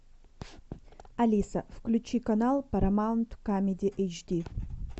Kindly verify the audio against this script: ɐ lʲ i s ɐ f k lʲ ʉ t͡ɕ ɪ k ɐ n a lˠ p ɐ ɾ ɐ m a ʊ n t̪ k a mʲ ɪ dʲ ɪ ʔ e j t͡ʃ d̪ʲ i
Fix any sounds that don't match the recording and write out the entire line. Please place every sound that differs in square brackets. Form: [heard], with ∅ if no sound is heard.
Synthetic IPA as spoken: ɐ lʲ i s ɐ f k lʲ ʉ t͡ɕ [i] k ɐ n a lˠ p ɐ ɾ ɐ m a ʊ n t̪ k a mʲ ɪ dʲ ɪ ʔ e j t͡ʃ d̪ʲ i